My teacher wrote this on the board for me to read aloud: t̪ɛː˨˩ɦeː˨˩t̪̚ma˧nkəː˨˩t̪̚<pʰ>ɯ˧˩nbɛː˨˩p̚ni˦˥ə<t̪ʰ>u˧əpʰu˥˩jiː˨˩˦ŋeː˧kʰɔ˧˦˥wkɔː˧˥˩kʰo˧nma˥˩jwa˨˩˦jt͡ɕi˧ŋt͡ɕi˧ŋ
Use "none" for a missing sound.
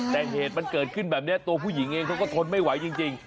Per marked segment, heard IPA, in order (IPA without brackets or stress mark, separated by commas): kʰ, t̪